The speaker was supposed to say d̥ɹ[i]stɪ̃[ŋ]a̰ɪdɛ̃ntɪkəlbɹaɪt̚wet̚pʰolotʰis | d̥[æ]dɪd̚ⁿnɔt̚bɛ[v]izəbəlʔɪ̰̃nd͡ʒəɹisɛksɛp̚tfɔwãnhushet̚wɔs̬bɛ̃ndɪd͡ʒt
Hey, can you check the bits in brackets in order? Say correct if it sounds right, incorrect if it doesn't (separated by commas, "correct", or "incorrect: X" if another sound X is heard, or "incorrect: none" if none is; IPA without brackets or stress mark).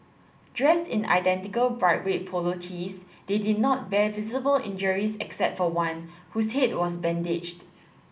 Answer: incorrect: ɛ, incorrect: n, incorrect: e, correct